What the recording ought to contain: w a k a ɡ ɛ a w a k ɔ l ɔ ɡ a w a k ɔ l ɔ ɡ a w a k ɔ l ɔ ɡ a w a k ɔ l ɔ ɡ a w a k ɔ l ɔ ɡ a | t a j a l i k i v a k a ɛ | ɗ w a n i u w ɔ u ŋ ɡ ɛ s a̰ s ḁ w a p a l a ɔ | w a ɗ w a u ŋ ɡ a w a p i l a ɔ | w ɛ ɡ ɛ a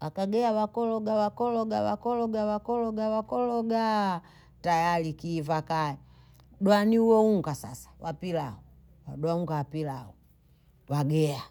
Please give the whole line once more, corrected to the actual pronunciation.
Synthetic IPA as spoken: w a k a ɡ ɛ a w a k ɔ l ɔ ɡ a w a k ɔ l ɔ ɡ a w a k ɔ l ɔ ɡ a w a k ɔ l ɔ ɡ a w a k ɔ l ɔ ɡ a | t a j a l i k i v a k a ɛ | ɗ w a n i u w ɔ u ŋ ɡ a s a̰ s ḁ w a p i l a ɔ | w a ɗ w a u ŋ ɡ a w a p i l a ɔ | w a ɡ ɛ a